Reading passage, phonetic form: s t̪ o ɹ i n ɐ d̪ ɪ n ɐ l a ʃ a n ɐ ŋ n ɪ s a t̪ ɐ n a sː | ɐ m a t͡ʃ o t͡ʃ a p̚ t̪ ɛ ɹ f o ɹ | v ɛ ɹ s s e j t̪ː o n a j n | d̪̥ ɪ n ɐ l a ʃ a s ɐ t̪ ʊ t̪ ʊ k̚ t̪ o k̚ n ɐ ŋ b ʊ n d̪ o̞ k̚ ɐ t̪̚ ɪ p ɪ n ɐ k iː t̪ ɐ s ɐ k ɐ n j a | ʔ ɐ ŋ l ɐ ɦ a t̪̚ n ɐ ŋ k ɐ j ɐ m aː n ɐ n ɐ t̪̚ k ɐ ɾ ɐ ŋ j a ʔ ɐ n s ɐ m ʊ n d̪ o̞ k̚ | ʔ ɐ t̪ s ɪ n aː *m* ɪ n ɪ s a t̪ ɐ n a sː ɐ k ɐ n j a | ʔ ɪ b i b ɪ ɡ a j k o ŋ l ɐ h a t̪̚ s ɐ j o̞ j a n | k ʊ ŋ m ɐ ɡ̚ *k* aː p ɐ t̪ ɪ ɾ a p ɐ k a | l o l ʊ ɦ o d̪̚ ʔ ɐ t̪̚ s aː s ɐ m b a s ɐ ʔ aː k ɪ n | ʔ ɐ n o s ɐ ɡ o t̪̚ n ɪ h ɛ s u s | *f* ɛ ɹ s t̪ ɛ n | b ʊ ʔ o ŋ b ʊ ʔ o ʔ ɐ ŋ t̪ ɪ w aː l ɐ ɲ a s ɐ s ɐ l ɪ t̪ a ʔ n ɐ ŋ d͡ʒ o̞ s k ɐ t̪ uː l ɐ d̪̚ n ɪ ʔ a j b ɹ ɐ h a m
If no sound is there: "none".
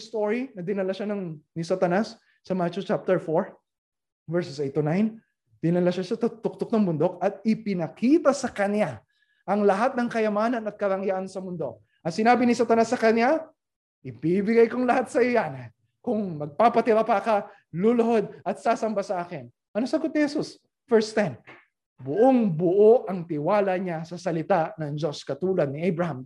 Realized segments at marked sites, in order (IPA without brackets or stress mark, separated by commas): b, p, f